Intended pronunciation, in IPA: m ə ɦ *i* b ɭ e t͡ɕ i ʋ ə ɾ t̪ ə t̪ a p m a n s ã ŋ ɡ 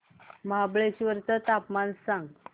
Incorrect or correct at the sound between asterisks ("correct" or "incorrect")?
incorrect